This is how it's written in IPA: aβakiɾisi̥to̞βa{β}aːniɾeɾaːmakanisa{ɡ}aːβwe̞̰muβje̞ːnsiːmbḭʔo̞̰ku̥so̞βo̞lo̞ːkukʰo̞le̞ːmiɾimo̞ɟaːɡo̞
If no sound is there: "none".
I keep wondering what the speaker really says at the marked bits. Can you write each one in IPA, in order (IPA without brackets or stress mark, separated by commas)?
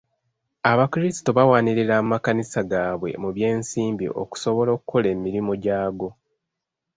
w, ɡ